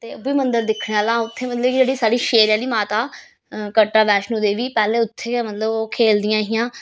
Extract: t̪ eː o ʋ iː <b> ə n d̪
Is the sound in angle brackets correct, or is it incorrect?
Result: incorrect